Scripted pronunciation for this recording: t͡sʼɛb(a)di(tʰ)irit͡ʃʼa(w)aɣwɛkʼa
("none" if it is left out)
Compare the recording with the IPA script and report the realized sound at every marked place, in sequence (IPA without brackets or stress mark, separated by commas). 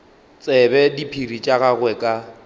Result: ɛ, pʰ, ɣ